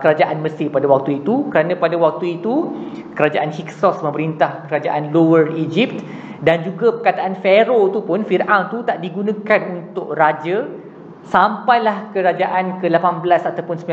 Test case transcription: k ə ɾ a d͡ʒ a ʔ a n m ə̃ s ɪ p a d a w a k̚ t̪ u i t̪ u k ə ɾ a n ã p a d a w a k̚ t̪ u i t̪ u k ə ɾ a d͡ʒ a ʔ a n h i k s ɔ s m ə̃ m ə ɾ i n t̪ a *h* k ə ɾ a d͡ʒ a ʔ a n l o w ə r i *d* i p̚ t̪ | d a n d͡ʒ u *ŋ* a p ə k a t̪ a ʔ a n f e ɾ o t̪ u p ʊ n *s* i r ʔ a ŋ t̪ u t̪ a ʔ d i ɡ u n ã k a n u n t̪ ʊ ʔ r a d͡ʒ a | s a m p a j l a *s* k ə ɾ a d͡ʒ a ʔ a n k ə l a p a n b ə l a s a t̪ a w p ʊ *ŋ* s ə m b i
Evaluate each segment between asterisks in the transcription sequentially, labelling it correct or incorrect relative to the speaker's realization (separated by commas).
correct, incorrect, incorrect, incorrect, incorrect, incorrect